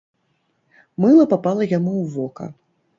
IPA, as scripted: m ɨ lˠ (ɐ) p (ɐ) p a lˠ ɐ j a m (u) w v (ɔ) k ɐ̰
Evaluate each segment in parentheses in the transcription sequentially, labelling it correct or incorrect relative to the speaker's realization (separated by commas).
correct, incorrect, correct, correct